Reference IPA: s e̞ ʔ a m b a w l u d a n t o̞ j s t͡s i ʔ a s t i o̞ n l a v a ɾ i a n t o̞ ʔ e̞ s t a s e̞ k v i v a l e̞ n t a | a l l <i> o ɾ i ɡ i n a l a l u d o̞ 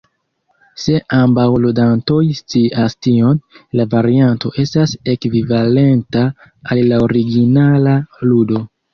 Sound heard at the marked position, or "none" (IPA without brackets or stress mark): a